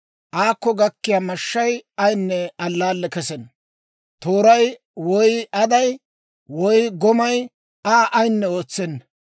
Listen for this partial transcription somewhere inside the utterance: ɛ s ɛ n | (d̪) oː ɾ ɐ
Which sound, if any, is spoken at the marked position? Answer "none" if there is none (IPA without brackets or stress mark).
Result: t̪